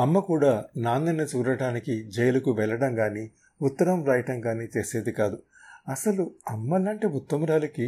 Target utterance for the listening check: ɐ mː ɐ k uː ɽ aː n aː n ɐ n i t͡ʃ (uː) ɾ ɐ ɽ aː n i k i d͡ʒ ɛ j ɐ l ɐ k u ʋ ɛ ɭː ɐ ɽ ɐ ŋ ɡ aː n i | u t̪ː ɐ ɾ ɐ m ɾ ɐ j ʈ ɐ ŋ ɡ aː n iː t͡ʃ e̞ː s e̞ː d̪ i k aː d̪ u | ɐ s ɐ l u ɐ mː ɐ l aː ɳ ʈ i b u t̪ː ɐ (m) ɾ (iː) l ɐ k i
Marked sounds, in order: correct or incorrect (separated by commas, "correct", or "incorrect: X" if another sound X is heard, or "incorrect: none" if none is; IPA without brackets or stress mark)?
correct, correct, incorrect: aː